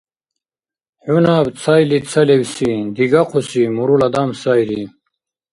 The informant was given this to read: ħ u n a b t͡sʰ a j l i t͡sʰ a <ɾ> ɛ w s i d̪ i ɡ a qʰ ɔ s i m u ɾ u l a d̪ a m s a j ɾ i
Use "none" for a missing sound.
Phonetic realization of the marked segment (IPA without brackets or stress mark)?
l